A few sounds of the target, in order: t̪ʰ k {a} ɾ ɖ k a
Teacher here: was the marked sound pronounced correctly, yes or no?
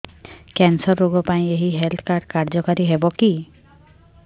yes